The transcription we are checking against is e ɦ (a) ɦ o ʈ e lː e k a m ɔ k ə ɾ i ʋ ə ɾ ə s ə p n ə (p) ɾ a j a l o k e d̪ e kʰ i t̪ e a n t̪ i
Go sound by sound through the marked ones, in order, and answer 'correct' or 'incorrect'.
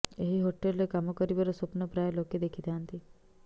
incorrect, correct

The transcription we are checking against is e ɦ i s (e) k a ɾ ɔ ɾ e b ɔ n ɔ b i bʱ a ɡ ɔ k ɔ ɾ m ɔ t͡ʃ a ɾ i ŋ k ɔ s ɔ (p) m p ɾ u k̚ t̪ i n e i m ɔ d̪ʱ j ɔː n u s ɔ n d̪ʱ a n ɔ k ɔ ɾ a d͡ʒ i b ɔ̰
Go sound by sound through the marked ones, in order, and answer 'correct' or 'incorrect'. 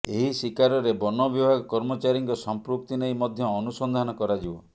incorrect, incorrect

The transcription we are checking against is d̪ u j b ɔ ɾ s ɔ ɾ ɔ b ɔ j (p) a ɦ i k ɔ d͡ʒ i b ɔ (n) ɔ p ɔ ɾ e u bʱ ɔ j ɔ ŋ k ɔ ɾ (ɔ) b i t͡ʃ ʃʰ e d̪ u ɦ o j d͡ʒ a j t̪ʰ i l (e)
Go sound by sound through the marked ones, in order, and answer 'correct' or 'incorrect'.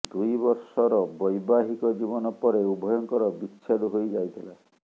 incorrect, correct, correct, incorrect

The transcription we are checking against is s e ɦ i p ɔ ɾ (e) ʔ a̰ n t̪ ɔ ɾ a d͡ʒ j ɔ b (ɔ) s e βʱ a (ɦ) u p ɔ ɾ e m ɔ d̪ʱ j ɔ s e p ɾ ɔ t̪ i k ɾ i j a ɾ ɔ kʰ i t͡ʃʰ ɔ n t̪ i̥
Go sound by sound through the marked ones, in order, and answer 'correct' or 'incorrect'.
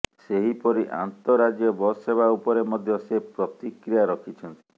incorrect, correct, incorrect

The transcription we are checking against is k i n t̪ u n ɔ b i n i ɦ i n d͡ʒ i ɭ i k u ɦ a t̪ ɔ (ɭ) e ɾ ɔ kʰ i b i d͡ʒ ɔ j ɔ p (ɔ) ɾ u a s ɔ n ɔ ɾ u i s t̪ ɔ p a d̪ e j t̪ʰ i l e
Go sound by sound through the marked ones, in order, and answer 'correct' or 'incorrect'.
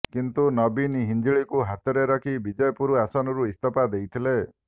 incorrect, incorrect

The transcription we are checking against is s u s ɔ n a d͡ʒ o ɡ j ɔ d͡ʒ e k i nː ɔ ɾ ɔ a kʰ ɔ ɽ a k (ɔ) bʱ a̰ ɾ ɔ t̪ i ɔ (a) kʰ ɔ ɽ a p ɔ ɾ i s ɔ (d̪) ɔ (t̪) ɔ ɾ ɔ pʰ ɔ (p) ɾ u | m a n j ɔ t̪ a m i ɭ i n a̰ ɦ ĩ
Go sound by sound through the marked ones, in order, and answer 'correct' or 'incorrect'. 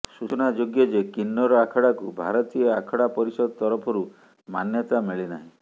incorrect, correct, correct, correct, incorrect

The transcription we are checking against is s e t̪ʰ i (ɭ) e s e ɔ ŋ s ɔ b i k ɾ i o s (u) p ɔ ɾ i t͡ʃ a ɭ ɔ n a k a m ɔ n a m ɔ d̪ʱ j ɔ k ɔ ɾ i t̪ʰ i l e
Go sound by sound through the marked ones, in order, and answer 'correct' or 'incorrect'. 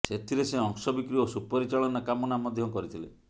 incorrect, correct

